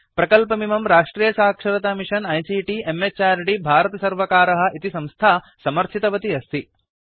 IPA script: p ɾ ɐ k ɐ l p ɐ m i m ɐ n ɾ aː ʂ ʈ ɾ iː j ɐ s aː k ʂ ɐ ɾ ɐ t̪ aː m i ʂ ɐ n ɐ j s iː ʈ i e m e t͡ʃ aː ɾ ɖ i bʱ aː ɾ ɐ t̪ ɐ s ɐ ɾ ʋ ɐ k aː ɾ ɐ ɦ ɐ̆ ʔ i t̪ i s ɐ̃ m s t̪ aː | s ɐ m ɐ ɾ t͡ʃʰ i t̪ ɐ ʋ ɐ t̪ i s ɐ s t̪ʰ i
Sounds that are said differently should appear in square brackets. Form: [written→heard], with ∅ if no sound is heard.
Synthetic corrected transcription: p ɾ ɐ k ɐ l p ɐ m i m ɐ [n→m] ɾ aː ʂ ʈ ɾ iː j ɐ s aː k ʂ ɐ ɾ ɐ t̪ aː m i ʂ ɐ n ɐ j s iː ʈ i e m e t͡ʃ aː ɾ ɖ i bʱ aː ɾ ɐ t̪ ɐ s ɐ ɾ ʋ ɐ k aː ɾ ɐ ɦ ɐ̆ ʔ i t̪ i s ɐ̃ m s [t̪→t̪ʰ] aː | s ɐ m ɐ ɾ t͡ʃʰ i t̪ ɐ ʋ ɐ t̪ i [s→∅] ɐ s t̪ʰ i